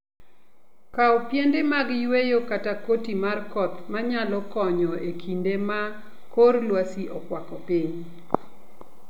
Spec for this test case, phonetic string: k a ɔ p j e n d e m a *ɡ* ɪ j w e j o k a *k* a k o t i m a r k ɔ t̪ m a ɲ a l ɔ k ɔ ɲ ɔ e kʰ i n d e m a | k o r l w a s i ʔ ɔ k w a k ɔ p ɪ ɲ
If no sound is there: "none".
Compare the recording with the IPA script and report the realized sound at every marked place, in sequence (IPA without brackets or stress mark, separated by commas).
ɡ, t